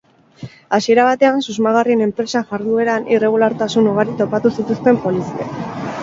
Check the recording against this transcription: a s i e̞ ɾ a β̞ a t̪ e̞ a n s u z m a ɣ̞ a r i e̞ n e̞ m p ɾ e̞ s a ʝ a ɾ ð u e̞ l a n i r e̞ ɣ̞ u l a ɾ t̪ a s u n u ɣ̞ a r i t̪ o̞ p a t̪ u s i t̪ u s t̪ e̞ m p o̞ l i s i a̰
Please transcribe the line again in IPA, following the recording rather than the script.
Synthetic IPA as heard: a s i e̞ ɾ a β̞ a t̪ e̞ a n s u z m a ɣ̞ a r i e̞ n e̞ m p ɾ e̞ s a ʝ a ɾ ð u e̞ ɾ a n i r e̞ ɣ̞ u l a ɾ t̪ a s u n u ɣ̞ a ɾ i t̪ o̞ p a t̪ u s i t̪ u s t̪ e̞ m p o̞ l i s i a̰